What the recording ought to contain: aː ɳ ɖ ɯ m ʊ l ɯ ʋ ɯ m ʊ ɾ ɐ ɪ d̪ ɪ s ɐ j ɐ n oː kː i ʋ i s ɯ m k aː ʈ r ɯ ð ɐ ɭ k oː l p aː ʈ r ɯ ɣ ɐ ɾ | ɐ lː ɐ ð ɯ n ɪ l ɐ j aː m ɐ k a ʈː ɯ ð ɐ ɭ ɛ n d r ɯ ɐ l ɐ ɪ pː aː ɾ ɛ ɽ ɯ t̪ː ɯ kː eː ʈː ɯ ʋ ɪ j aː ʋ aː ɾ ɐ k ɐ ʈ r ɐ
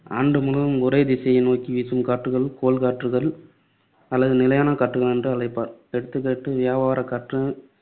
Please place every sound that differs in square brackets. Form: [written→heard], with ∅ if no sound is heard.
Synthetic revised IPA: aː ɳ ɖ ɯ m ʊ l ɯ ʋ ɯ m ʊ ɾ ɐ ɪ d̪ ɪ s ɐ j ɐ n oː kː i ʋ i s ɯ m k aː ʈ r ɯ [ð→ɣ] ɐ ɭ k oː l [p→k] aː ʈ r ɯ ɣ ɐ [ɾ→ɭ] | ɐ lː ɐ ð ɯ n ɪ l ɐ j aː [m→n] ɐ k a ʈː ɯ [ð→ɣ] ɐ ɭ ɛ n d r ɯ ɐ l ɐ ɪ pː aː ɾ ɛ ɽ ɯ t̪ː ɯ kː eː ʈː ɯ ʋ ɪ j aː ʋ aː ɾ ɐ k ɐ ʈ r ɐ